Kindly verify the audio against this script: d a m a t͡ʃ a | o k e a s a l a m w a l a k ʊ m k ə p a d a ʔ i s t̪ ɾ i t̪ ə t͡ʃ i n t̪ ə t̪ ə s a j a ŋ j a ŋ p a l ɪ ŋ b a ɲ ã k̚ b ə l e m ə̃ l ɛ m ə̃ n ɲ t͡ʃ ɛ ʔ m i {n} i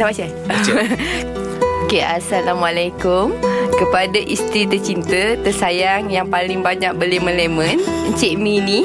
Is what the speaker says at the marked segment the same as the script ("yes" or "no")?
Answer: yes